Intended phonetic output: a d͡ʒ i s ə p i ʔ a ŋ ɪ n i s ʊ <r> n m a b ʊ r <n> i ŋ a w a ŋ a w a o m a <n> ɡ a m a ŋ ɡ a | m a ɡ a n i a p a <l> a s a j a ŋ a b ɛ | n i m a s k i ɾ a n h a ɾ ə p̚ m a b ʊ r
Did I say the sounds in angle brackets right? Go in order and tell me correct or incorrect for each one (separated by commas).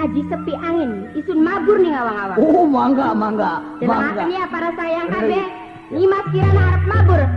incorrect, correct, incorrect, incorrect